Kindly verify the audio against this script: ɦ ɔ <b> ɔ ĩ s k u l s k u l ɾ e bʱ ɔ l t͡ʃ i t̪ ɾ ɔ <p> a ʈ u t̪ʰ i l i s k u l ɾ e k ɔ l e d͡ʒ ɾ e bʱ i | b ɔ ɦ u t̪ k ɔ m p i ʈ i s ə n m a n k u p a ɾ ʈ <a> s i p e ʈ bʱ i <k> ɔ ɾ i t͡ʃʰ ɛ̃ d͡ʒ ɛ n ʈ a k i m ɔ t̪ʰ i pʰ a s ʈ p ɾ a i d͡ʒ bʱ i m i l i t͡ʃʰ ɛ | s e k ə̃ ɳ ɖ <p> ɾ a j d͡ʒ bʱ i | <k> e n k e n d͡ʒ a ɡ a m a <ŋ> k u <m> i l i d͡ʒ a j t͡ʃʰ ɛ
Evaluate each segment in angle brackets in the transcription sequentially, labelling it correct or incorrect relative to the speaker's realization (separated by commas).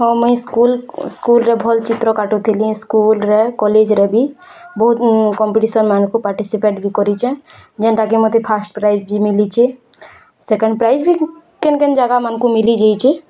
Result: incorrect, incorrect, incorrect, correct, correct, correct, incorrect, correct